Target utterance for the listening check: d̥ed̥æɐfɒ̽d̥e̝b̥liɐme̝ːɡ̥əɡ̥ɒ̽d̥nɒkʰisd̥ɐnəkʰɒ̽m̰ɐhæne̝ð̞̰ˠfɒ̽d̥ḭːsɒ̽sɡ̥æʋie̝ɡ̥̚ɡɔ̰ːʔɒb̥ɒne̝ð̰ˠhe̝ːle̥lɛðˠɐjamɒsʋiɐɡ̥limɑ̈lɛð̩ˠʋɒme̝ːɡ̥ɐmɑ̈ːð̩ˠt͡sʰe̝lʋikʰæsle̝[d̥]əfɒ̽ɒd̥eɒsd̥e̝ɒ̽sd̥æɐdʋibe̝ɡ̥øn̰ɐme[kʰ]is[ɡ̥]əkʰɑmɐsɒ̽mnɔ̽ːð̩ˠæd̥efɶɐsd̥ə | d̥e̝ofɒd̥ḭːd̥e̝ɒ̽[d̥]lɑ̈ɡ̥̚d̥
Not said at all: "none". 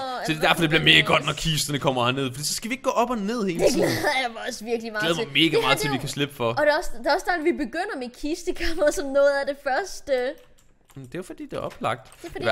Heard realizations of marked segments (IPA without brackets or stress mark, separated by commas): b̥, kʰ, d̥, b̥